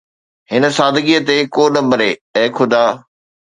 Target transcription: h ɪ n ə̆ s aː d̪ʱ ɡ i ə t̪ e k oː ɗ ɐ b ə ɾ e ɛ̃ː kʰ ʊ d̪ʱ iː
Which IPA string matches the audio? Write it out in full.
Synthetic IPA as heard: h ɪ n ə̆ s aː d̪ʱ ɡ i ə t̪ e k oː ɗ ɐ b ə ɾ e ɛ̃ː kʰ ʊ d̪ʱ aː